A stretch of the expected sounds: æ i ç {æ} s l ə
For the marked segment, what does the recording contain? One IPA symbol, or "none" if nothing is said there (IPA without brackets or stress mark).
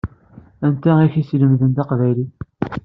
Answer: i